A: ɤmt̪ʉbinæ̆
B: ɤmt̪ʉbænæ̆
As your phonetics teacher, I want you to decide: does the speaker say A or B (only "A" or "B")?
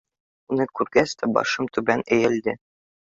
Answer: B